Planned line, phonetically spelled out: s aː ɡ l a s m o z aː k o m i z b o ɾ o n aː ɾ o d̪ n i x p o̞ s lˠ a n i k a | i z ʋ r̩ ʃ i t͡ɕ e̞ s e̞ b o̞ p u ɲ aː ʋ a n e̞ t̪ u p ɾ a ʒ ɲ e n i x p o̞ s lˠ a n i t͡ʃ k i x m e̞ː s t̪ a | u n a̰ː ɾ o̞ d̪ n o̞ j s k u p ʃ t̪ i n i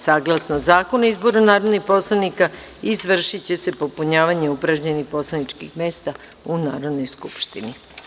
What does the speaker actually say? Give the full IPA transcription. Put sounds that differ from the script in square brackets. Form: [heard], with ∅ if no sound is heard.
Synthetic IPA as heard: s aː ɡ l a s [n] o z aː k o [n] i z b o ɾ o n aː ɾ o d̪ n i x p o̞ s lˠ a n i k a | i z ʋ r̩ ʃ i t͡ɕ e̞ s e̞ [p] o̞ p u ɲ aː ʋ a [ɲ] e̞ [∅] u p ɾ a ʒ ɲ e n i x p o̞ s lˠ a n i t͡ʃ k i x m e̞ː s t̪ a | u n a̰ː ɾ o̞ d̪ n o̞ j s k u p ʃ t̪ i n i